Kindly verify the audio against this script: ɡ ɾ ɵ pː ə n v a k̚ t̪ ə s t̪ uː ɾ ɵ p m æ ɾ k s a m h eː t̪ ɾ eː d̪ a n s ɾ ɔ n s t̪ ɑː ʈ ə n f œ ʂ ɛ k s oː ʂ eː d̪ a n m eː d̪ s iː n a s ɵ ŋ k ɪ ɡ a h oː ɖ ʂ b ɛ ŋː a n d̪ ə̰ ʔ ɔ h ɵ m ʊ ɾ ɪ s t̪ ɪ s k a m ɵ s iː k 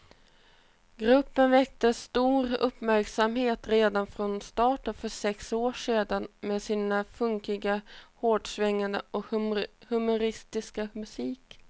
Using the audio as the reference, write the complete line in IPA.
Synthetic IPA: ɡ ɾ ɵ pː ə n v ɛ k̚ t̪ ə s t̪ uː ɾ ɵ p m æ ɾ k s a m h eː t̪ ɾ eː d̪ a n f ɾ ɔ n s t̪ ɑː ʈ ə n f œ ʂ ɛ k s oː ʂ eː d̪ a n m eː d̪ s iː n a f ɵ ŋ k ɪ ɡ a h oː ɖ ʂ v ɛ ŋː a n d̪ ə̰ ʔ ɔ h ɵ m ʊ ɾ ɪ s t̪ ɪ s k a m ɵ s iː k